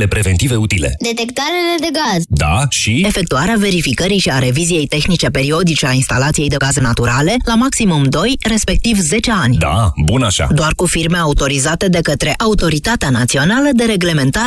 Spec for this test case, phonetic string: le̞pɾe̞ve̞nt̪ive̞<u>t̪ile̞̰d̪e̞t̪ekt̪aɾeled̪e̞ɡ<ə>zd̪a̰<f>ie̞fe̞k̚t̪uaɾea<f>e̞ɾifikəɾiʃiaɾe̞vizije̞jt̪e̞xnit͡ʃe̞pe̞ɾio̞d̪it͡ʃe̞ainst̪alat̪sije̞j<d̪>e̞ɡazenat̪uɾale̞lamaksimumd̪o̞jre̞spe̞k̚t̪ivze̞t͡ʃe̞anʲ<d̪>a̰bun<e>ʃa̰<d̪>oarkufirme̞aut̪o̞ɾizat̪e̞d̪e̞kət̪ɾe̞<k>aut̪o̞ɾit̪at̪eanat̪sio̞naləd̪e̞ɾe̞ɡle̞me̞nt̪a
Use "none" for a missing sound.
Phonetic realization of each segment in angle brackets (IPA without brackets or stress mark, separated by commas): u, a, ʃ, v, d̪, d̪, a, d̪, ʔ